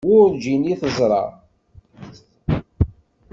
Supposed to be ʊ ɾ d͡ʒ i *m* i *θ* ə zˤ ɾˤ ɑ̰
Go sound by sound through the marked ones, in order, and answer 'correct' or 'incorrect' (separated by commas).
incorrect, correct